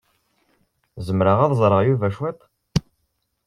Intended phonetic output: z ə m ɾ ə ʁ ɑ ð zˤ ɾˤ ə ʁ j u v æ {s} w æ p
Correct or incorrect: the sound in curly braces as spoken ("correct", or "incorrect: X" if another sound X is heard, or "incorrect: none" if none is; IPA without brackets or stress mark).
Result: incorrect: ʃ